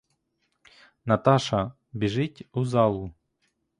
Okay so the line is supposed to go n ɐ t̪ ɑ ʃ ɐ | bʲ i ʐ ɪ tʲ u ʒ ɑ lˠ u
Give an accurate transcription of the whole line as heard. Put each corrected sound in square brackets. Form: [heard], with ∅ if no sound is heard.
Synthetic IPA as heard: n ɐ t̪ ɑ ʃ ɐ | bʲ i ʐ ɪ tʲ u [z] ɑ lˠ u